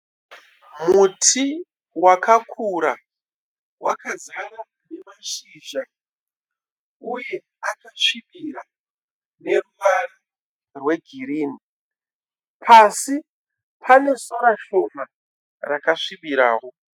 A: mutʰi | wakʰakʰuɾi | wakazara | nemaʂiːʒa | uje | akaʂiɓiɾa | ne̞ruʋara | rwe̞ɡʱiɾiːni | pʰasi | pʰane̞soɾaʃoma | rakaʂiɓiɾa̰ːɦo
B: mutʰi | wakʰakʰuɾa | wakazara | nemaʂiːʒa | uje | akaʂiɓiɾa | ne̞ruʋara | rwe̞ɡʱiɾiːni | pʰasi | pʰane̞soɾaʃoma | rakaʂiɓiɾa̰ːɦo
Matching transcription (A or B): B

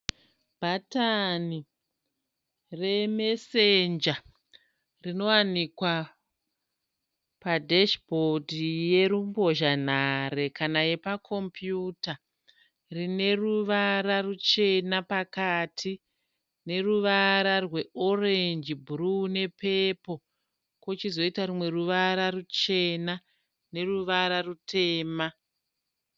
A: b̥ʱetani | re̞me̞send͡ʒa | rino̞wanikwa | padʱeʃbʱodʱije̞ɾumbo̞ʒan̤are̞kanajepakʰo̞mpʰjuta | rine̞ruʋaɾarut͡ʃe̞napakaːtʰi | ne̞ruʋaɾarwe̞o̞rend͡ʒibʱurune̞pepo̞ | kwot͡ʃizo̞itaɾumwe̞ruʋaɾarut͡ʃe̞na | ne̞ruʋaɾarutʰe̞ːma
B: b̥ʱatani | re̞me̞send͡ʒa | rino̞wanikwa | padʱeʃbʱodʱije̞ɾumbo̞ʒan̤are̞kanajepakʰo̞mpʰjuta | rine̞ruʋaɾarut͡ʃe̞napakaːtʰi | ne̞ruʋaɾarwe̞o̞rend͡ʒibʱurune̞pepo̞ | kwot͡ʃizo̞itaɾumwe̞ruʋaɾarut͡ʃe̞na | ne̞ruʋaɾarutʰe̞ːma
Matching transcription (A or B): B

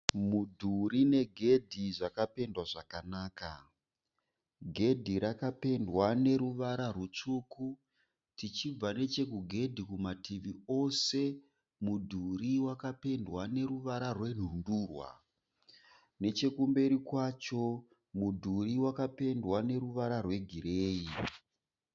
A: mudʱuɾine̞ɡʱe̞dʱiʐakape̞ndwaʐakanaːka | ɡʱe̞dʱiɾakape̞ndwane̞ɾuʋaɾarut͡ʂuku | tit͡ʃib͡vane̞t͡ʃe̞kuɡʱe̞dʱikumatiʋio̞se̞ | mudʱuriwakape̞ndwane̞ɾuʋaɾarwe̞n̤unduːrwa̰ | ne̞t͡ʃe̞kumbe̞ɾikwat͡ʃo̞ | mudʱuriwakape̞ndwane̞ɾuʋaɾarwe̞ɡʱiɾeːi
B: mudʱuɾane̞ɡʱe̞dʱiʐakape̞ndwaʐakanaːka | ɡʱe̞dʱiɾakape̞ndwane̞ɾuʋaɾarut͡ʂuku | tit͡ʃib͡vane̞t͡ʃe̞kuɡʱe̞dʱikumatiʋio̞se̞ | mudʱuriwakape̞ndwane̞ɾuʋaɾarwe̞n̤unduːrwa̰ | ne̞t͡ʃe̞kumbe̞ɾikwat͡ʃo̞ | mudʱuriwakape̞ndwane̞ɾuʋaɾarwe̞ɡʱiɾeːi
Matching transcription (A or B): A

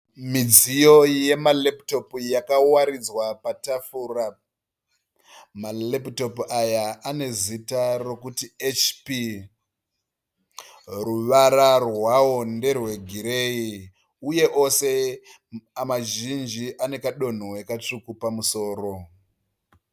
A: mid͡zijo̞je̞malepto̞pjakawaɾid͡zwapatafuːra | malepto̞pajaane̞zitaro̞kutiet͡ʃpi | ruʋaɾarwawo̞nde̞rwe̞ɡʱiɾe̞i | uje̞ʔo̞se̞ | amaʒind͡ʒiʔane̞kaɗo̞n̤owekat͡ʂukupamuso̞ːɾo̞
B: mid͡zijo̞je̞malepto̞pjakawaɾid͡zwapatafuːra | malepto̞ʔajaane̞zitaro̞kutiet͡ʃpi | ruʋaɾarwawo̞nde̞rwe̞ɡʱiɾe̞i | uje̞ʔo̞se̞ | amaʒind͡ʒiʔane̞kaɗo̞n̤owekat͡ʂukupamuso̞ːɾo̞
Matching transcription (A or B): A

